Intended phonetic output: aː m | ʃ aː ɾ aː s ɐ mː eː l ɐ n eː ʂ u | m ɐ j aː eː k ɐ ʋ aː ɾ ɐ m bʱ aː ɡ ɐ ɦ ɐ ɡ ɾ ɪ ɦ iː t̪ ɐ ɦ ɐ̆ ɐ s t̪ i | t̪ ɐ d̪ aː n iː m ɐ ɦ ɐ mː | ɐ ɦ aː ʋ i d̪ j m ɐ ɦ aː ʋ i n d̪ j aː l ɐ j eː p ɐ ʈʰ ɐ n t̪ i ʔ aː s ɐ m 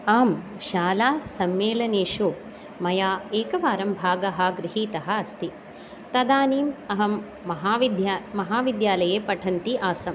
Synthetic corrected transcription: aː m | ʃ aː l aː s ɐ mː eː l ɐ n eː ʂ u | m ɐ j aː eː k ɐ ʋ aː ɾ ɐ m bʱ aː ɡ ɐ ɦ ɐ ɡ ɾ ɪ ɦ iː t̪ ɐ ɦ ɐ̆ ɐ s t̪ i | t̪ ɐ d̪ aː n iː m ɐ ɦ ɐ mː | ɐ ɦ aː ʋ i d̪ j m ɐ ɦ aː ʋ i d̪ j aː l ɐ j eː p ɐ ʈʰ ɐ n t̪ i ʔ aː s ɐ m